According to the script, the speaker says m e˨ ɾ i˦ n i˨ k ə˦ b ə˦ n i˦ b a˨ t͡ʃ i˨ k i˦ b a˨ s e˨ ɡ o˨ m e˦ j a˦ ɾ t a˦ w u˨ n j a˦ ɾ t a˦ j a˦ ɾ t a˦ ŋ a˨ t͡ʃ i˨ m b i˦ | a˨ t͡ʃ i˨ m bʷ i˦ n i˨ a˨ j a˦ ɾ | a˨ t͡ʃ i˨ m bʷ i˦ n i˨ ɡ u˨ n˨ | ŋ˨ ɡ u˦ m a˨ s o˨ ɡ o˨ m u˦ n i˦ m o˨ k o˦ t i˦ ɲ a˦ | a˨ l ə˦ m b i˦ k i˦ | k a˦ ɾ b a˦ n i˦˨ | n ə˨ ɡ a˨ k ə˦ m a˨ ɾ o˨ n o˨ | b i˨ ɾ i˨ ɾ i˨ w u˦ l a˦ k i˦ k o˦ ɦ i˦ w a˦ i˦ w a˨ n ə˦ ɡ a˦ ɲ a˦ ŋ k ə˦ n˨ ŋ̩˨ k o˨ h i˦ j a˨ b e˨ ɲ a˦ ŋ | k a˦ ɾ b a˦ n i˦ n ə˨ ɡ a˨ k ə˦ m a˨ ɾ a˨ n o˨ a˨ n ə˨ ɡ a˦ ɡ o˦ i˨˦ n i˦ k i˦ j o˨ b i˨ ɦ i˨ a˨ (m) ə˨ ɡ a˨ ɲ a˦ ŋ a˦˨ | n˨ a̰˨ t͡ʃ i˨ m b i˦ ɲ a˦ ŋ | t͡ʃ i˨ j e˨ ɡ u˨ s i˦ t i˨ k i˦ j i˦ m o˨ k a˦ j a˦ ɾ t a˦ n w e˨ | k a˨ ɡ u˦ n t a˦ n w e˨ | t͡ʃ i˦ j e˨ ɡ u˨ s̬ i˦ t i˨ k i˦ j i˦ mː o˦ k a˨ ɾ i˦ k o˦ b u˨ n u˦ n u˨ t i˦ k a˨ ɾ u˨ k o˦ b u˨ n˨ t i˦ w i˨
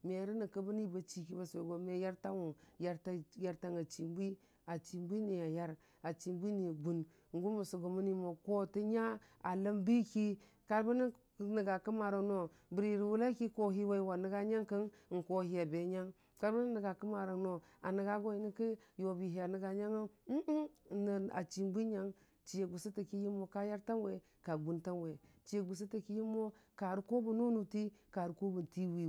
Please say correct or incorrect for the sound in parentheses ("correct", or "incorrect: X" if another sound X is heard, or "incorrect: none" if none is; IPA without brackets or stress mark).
incorrect: n